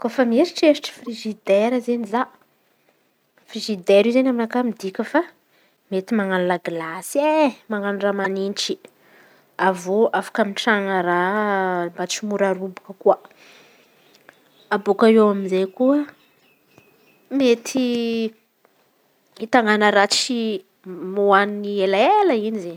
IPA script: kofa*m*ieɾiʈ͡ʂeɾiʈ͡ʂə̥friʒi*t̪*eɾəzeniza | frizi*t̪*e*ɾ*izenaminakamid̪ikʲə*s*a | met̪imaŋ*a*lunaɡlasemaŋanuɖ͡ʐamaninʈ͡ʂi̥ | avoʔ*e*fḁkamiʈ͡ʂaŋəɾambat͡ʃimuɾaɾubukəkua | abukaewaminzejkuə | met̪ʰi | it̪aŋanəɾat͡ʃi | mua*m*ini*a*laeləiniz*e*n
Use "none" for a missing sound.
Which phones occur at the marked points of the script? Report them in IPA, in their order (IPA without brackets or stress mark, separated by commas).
m, d̪, d̪, ɾ, f, a, a, n, e, e